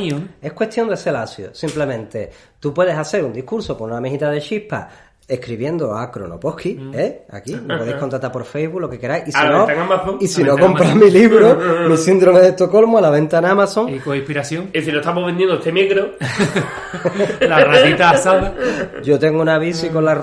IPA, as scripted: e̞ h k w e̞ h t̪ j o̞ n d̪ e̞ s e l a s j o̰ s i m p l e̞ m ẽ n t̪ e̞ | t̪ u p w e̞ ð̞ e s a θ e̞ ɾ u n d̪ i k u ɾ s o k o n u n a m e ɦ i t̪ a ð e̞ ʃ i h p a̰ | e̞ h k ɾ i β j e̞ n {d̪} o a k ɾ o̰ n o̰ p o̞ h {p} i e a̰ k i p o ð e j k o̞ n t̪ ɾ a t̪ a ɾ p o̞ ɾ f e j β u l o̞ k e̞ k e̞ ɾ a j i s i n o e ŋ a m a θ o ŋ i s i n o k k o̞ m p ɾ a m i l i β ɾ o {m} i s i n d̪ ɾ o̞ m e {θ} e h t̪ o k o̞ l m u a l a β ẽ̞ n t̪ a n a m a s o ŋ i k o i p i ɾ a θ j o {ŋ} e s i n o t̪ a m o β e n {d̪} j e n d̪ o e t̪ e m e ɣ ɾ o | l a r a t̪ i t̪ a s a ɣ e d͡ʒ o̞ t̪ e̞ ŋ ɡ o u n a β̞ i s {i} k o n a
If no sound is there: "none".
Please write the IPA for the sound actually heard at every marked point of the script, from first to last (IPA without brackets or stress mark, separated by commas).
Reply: d̪, k, m, ð, ŋ, d̪, i